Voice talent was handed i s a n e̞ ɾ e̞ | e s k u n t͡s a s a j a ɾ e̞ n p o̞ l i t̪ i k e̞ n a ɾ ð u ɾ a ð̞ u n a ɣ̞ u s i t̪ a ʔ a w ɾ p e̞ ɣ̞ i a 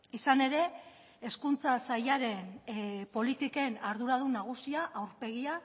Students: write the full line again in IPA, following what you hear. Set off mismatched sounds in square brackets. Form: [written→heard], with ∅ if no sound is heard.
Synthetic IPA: i s a n e̞ ɾ e̞ | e s k u n t͡s a s a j a ɾ e̞ n p o̞ l i t̪ i k e̞ n a ɾ ð u ɾ a ð̞ u n a ɣ̞ u s i [t̪→∅] a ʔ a w ɾ p e̞ ɣ̞ i a